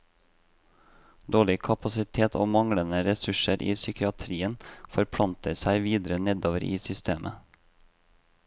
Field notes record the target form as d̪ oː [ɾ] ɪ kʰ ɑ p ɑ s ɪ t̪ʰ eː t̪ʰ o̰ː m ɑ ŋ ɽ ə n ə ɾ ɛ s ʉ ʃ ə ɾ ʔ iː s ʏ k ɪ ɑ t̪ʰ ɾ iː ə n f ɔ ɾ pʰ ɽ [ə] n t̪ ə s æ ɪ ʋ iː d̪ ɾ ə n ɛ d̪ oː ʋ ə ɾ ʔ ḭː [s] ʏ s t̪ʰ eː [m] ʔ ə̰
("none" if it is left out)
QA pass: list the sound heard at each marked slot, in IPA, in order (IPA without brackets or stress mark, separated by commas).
ɭ, ɑ, s, m